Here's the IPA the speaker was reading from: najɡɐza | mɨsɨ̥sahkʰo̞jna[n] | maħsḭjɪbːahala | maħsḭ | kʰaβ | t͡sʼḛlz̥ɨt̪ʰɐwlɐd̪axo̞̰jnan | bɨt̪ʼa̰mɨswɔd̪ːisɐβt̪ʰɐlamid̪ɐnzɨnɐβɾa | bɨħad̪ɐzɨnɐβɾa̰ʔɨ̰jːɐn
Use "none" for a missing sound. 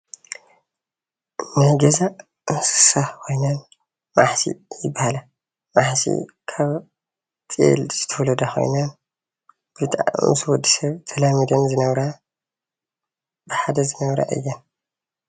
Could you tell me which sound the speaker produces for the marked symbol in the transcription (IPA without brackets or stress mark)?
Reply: n